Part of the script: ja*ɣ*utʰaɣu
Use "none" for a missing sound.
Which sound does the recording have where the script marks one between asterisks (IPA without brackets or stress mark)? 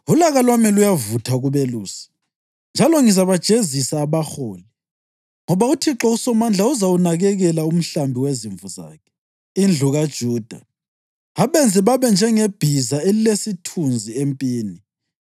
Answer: v